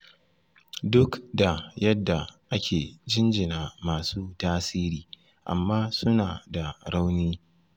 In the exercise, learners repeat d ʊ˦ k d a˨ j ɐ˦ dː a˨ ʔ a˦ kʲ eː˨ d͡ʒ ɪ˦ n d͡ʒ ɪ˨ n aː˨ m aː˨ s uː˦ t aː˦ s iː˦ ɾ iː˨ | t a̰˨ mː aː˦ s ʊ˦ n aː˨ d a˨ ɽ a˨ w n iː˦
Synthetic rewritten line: d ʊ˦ k d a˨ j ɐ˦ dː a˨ ʔ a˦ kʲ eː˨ d͡ʒ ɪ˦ n d͡ʒ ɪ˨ n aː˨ m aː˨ s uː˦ t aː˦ s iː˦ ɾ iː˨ | ʔ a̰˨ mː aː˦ s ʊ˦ n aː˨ d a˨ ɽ a˦ w n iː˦